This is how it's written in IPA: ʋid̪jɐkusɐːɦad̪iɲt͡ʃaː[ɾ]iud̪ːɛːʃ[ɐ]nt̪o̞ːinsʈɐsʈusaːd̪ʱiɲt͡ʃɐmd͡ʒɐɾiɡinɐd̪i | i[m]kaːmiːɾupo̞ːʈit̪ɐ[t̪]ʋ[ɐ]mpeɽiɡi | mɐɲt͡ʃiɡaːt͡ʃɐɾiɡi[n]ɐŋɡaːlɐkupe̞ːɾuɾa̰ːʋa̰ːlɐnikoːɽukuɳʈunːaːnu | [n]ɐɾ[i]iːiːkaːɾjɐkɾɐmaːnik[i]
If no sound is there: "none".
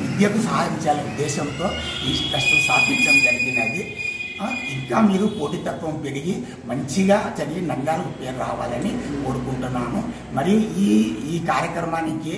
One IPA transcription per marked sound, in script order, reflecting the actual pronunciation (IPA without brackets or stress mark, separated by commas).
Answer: l, ɐ, ŋ, t̪, ɐ, n, m, i, i